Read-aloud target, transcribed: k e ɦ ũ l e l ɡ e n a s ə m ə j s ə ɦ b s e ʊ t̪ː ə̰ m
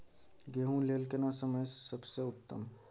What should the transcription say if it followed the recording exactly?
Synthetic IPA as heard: ɡ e ɦ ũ l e l k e n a s ə m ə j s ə b s e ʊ t̪ː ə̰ m